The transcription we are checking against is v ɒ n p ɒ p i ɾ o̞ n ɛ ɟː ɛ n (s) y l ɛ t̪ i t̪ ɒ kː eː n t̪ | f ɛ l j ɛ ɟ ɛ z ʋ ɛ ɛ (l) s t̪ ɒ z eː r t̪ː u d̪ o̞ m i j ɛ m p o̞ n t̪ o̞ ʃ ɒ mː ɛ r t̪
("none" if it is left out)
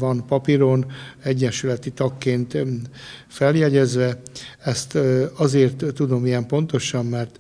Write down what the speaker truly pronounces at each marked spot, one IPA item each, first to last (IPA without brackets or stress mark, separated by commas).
ʃ, none